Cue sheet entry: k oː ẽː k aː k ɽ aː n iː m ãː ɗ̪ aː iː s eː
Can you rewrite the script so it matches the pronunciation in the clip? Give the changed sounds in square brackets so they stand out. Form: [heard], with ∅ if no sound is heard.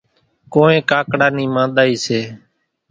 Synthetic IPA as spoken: k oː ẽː k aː k ɽ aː n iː m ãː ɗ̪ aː iː s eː